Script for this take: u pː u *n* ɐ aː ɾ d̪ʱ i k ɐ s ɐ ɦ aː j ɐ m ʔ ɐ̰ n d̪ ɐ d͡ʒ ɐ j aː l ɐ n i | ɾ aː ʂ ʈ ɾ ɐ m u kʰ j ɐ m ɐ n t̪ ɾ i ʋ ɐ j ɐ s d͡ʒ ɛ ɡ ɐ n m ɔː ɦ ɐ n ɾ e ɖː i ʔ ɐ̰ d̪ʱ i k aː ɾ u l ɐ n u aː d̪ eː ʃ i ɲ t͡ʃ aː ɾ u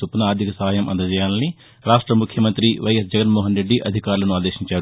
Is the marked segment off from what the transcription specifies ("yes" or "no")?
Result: no